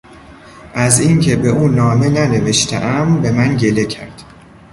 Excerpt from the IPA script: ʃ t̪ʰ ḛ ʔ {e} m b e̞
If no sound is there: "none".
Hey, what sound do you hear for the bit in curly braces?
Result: æ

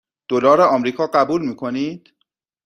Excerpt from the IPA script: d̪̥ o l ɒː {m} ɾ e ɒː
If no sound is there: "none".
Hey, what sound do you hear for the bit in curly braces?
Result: none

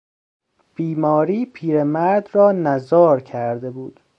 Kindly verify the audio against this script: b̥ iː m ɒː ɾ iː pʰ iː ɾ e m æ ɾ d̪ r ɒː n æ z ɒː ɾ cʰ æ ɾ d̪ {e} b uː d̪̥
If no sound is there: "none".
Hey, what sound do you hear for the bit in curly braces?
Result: e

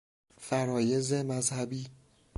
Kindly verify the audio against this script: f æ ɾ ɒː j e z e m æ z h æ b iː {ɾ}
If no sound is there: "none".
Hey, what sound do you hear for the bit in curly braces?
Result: none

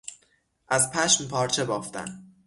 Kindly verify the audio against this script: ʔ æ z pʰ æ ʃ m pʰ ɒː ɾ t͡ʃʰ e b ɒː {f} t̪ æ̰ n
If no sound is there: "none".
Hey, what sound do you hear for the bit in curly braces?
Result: f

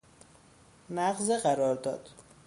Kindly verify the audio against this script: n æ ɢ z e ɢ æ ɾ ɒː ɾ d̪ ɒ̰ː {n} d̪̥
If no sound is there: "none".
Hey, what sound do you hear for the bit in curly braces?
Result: none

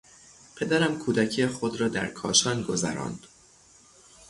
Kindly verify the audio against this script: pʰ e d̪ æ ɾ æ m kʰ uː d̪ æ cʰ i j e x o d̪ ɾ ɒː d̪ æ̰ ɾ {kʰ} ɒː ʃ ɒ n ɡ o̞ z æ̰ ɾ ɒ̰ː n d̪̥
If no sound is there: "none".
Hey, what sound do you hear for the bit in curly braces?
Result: kʰ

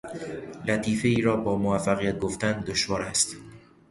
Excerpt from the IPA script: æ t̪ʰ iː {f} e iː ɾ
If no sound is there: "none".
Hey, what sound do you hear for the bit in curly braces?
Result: f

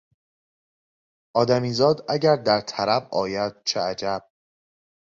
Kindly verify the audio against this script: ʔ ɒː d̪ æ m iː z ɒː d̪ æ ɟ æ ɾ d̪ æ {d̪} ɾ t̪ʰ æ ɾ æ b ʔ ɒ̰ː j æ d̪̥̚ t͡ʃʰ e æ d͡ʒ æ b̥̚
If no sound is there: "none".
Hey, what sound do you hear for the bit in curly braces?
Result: none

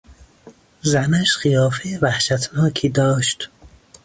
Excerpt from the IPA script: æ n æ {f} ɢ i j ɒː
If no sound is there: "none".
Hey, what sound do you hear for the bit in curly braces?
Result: ʃ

